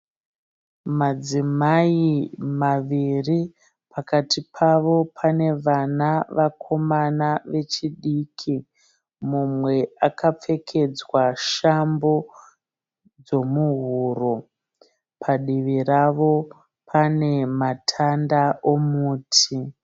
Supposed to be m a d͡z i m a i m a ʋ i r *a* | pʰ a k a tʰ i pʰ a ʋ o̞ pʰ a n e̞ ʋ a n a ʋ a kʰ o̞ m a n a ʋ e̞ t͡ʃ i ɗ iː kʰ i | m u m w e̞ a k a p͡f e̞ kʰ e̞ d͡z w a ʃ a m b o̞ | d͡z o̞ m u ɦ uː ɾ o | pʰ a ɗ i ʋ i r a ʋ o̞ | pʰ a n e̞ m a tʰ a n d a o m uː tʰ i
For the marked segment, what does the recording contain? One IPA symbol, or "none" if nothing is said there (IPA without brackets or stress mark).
i